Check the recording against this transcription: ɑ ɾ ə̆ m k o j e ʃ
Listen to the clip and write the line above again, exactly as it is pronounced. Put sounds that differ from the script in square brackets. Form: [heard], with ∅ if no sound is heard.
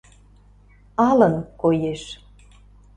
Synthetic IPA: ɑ [l] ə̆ [n] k o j e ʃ